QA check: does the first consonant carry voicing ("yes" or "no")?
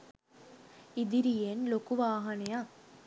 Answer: yes